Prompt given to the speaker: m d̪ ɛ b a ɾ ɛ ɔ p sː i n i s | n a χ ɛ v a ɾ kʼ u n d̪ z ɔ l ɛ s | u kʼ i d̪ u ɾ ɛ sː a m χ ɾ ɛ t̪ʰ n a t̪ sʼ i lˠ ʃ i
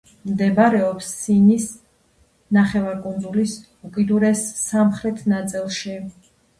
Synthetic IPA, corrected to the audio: m d̪ ɛ b a ɾ ɛ ɔ p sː i n i s | n a χ ɛ v a ɾ kʼ u n d̪ z u l i s | u kʼ i d̪ u ɾ ɛ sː a m χ ɾ ɛ t̪ʰ n a t̪ sʼ i lˠ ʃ i